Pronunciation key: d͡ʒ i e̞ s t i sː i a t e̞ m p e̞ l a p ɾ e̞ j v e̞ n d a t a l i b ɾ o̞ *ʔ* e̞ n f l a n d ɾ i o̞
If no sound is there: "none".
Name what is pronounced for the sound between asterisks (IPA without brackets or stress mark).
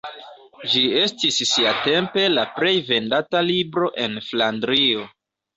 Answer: ʔ